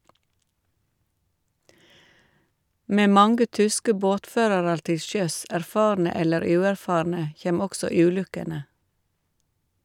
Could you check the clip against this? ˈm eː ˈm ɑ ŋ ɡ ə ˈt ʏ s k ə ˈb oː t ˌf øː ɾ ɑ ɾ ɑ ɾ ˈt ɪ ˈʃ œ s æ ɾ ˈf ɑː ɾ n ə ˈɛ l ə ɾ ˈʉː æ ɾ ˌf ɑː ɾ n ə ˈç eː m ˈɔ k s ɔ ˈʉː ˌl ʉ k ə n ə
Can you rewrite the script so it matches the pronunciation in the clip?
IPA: ˈm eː ˈm ɑ ŋ ɡ ə ˈt ʏ s k ə ˈb oː t ˌf øː ɾ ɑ ɾ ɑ ɾ ˈt ɪ ˈʃ œ s æ ɾ ˈf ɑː ɾ n ə ˈɛ l ə ɾ ˈʉː æ ɾ ˌf ɑː ɾ n ə ˈç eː m ˈɔ k s ɔ ˈʉː ˌl ʉ k ə n ə